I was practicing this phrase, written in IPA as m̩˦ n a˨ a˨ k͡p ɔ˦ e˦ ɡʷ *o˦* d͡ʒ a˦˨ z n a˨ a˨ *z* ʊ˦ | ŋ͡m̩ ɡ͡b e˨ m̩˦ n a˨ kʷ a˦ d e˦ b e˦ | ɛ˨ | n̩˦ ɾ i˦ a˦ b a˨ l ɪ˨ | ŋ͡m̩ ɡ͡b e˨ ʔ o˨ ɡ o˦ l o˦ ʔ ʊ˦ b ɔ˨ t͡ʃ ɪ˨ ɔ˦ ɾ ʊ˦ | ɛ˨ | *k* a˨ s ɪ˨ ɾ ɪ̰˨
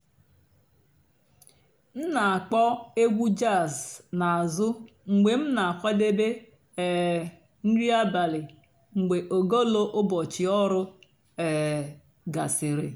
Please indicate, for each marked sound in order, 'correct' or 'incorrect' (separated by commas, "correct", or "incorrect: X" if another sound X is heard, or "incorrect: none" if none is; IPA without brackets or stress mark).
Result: incorrect: u˦, correct, incorrect: ɡ